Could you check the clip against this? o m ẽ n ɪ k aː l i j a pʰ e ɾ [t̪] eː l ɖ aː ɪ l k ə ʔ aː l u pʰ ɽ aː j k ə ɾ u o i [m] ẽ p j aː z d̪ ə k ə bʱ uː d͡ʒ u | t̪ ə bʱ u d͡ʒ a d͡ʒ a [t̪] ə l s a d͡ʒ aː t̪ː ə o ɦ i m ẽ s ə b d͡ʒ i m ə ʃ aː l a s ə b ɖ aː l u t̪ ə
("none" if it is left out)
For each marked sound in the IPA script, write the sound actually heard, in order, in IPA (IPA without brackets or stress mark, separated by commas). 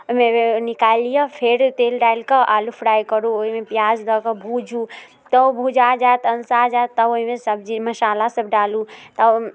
t̪, m, t̪